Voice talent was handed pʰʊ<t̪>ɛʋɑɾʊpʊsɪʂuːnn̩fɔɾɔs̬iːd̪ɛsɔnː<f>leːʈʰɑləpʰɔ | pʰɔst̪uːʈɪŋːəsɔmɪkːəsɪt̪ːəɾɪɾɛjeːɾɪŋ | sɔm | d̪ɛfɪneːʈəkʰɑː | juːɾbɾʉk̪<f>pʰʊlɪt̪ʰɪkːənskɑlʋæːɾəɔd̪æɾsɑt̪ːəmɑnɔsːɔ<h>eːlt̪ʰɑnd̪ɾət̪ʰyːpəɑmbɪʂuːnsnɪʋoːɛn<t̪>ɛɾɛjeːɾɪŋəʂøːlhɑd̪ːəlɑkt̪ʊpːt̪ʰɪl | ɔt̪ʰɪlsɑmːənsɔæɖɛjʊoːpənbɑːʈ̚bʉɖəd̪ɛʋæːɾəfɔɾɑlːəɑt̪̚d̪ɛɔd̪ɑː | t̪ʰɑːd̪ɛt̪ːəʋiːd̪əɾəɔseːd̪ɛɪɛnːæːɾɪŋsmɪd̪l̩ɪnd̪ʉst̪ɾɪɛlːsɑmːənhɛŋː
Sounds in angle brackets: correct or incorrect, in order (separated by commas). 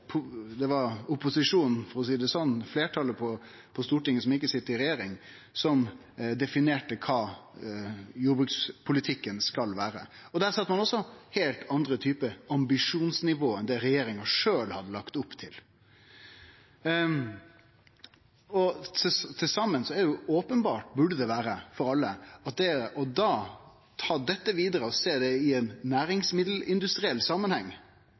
incorrect, correct, incorrect, correct, incorrect